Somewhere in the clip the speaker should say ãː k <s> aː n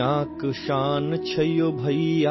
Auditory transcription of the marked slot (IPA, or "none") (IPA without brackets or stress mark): ʃ